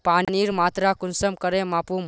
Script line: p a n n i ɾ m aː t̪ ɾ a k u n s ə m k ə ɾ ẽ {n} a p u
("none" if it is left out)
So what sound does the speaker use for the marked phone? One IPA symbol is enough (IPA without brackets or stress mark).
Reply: m